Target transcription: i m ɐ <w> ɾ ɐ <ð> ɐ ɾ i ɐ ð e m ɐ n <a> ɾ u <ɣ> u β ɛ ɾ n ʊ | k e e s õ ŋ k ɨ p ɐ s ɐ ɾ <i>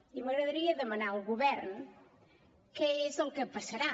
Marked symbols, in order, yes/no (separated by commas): no, yes, yes, yes, no